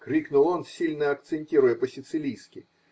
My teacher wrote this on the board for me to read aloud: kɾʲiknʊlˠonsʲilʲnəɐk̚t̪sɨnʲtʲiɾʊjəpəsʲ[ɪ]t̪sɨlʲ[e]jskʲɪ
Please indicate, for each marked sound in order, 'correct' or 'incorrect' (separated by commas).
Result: correct, incorrect